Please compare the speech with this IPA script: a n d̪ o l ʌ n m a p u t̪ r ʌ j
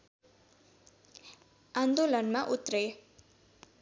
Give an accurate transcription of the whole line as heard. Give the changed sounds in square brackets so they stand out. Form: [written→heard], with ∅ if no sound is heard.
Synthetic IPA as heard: a n d̪ o l ʌ n m a [p→ʔ] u t̪ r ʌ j